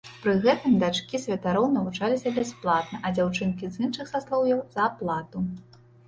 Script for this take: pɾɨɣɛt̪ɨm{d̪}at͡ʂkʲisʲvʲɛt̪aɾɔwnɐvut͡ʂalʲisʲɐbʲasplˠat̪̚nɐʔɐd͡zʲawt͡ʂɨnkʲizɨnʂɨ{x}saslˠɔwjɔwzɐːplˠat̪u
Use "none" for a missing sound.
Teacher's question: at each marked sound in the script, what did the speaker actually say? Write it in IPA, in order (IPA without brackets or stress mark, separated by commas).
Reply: d̪, x